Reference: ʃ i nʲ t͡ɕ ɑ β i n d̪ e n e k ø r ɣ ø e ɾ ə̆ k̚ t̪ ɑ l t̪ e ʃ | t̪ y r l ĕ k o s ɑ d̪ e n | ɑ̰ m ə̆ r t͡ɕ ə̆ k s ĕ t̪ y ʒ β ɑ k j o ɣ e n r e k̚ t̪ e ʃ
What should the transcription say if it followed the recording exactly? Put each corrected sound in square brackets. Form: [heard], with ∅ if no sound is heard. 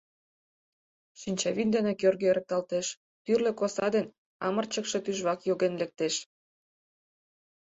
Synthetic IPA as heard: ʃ i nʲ t͡ɕ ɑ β i n d̪ e n e k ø r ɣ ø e ɾ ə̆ k̚ t̪ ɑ l t̪ e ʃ | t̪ y r l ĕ k o s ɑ d̪ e n | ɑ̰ m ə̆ r t͡ɕ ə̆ k [ʃ] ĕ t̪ y ʒ β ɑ k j o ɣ e n [l] e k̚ t̪ e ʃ

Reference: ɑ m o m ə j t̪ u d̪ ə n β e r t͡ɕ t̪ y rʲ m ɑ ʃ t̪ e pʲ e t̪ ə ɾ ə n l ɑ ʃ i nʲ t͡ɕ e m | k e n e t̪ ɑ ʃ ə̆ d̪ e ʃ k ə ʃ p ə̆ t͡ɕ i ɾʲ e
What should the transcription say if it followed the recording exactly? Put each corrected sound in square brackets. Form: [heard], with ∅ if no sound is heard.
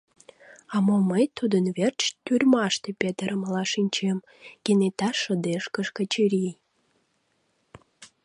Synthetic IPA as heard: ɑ m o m ə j t̪ u d̪ ə n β e r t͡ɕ t̪ y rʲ m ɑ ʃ t̪ e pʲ e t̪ ə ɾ ə [m] l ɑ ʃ i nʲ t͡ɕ e m | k e n e t̪ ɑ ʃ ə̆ d̪ e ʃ k ə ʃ [k] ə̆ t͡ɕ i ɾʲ [i]

